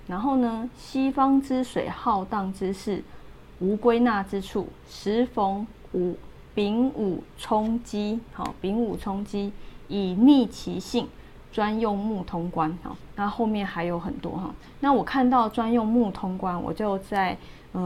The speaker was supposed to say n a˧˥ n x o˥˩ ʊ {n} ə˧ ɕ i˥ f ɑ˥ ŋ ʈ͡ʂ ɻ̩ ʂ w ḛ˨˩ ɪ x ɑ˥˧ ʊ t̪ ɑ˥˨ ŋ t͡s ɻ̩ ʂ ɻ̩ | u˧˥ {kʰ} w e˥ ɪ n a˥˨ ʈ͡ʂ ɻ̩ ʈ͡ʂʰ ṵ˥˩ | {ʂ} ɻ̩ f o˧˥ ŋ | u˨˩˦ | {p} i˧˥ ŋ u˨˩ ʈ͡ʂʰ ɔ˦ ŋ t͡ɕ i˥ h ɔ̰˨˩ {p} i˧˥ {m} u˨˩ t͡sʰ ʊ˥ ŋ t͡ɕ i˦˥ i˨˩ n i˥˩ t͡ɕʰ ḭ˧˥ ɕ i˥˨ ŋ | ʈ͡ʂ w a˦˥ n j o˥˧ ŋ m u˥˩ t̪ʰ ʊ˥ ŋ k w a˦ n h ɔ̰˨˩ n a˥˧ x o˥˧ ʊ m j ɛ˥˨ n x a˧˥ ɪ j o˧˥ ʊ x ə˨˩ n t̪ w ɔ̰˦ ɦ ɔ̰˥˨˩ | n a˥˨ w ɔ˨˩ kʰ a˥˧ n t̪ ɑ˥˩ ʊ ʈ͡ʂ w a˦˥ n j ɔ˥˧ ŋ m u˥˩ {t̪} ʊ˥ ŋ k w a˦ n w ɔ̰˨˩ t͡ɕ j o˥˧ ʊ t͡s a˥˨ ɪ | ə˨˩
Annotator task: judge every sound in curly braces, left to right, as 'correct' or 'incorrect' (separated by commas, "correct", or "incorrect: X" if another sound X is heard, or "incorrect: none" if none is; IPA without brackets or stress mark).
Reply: correct, incorrect: k, correct, correct, correct, incorrect: ŋ, incorrect: t̪ʰ